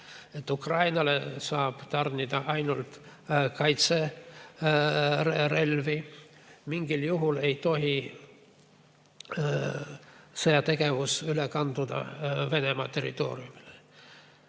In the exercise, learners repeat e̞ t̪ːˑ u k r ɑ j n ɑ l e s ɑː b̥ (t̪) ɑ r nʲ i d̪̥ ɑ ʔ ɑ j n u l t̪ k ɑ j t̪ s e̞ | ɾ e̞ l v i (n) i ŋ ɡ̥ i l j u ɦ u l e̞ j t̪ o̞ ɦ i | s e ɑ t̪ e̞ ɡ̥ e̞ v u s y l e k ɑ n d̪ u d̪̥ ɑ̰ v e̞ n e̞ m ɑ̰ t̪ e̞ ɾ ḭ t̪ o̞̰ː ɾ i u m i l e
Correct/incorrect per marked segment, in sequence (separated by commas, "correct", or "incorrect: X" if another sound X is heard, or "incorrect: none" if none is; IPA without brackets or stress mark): correct, incorrect: m